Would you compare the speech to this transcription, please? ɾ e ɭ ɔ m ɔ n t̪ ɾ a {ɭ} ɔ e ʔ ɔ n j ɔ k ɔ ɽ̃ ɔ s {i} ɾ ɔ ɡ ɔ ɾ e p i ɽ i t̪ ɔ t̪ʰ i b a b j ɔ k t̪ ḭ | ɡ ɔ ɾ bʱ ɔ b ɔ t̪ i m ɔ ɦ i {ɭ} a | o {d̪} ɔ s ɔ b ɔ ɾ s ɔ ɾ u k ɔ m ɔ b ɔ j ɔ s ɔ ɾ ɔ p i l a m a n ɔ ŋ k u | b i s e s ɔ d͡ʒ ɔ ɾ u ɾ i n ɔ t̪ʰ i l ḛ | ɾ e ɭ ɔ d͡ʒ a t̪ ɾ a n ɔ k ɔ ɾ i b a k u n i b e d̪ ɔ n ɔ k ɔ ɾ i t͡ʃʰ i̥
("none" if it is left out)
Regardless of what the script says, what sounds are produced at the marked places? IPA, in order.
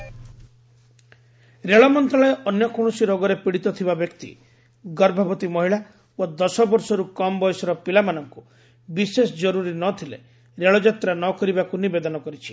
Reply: ɭ, i, ɭ, d̪

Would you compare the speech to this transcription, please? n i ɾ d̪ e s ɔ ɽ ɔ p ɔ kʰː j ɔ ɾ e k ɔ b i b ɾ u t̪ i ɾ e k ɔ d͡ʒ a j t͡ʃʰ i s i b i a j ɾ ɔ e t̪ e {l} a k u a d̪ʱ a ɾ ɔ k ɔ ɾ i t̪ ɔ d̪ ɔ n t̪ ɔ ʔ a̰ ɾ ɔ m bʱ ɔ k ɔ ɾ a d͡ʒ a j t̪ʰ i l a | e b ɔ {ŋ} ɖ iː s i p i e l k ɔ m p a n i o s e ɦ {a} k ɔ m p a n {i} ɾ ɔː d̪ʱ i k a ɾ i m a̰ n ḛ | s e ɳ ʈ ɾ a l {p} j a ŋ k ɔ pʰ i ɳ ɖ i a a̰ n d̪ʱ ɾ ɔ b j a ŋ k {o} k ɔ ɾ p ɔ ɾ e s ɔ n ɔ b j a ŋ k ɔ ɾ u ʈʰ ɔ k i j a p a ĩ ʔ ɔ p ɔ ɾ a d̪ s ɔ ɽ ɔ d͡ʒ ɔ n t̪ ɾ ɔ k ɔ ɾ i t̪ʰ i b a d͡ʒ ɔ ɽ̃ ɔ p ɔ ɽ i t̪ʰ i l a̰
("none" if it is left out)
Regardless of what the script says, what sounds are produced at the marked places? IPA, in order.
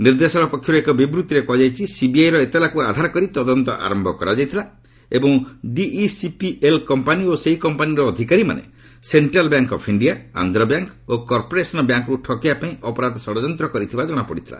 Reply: l, ŋ, i, i, b, o

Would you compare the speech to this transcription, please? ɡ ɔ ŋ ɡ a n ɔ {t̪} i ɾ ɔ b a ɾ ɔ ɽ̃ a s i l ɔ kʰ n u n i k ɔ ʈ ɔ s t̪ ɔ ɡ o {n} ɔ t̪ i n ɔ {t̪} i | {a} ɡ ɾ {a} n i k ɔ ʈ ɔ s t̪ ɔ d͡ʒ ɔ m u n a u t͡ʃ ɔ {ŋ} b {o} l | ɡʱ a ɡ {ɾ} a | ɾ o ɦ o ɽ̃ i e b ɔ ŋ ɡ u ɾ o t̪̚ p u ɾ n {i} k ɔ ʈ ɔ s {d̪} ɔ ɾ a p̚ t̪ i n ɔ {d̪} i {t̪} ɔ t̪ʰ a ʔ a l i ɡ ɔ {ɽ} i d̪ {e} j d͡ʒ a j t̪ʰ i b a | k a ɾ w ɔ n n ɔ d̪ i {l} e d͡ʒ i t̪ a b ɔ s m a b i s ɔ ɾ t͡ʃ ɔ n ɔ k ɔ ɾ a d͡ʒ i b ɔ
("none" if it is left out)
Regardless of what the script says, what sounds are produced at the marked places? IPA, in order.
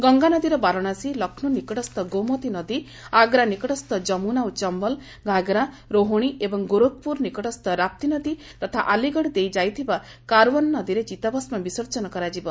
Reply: d̪, m, d̪, a, a, m, ɔ, ɾ, i, t̪, d̪, t̪, ɽ, e, ɾ

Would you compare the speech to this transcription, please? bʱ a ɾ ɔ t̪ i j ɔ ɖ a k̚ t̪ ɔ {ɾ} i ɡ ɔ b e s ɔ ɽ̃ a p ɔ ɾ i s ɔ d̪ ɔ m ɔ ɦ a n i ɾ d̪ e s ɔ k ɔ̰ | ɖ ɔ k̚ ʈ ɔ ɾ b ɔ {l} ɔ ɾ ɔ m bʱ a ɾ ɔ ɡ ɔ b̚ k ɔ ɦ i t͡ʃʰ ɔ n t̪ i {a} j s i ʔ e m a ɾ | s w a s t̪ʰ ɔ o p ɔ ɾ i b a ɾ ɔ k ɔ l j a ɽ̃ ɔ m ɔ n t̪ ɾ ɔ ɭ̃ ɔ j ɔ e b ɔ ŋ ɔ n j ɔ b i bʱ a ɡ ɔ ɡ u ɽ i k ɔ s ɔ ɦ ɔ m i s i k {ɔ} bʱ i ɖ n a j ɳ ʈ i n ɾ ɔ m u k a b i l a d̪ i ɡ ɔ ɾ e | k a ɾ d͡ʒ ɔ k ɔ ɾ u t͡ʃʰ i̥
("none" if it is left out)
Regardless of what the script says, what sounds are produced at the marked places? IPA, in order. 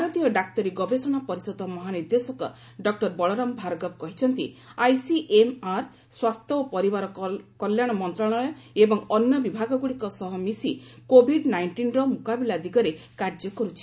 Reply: ɾ, ɭ, a, o

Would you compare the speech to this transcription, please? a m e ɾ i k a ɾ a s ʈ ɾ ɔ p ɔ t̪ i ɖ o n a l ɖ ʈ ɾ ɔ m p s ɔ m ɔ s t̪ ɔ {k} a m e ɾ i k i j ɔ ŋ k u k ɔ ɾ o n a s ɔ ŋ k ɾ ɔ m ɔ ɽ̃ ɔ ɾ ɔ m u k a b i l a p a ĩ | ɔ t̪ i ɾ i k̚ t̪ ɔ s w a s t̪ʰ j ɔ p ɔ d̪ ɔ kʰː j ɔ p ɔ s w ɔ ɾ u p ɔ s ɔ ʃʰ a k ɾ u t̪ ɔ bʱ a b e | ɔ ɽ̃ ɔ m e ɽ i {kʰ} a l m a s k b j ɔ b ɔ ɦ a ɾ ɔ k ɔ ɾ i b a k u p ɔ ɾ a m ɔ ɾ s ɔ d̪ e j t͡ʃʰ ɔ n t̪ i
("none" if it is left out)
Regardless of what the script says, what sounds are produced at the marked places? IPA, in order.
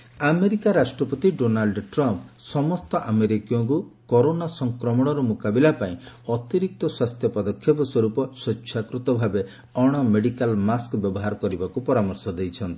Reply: ʔ, k

